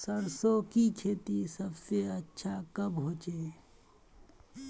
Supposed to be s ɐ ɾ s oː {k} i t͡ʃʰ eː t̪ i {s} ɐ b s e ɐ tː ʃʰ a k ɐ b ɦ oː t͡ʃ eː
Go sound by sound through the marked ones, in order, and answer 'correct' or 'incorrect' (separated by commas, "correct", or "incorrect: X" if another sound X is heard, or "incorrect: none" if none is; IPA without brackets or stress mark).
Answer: correct, correct